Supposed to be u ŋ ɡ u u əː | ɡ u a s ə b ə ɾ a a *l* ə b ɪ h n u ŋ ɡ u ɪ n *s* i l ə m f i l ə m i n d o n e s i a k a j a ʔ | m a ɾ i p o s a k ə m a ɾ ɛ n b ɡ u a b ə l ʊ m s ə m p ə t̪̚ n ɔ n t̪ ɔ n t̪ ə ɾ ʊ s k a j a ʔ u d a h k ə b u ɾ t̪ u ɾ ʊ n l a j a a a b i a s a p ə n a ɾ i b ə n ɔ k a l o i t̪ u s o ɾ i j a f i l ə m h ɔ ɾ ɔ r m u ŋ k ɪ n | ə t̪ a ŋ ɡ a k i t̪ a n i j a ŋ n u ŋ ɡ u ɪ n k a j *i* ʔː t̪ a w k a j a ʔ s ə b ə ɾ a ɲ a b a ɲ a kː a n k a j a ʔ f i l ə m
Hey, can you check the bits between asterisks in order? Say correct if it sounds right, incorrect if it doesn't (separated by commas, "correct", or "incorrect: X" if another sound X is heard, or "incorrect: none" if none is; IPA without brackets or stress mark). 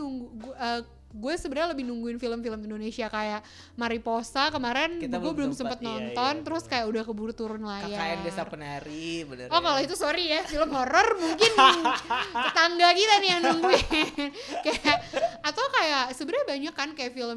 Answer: correct, incorrect: f, incorrect: a